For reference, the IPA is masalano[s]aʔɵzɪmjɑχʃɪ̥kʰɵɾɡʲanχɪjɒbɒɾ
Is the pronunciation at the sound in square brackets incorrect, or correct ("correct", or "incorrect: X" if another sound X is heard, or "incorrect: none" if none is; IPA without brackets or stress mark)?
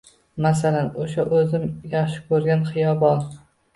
incorrect: ʃ